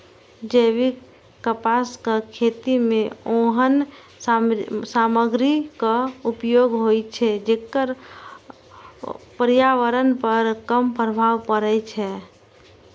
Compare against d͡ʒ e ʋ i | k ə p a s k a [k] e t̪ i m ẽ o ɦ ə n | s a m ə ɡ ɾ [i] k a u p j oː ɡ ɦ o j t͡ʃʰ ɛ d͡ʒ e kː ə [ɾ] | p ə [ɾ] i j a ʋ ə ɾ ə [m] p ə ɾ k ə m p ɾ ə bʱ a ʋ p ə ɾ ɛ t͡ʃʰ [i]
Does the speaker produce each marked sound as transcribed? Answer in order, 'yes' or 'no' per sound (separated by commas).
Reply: no, yes, yes, yes, no, no